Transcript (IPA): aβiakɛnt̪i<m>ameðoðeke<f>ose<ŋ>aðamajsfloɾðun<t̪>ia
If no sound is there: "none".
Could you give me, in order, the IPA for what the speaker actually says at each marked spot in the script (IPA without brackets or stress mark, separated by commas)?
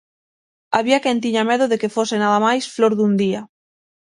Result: ɲ, f, n, d̪